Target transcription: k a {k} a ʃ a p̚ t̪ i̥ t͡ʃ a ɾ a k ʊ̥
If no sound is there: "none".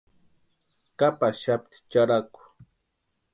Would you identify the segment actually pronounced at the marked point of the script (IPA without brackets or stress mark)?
p